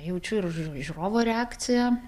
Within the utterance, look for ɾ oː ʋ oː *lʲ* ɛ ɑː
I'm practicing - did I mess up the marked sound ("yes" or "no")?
yes